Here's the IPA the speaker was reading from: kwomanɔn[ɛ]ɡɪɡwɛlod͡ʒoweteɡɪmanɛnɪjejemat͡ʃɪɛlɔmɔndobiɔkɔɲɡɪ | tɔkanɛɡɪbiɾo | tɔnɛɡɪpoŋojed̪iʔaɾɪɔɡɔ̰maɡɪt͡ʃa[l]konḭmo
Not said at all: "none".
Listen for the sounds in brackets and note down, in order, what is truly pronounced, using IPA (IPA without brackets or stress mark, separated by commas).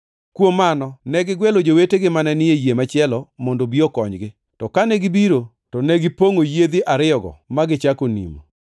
ɛ, none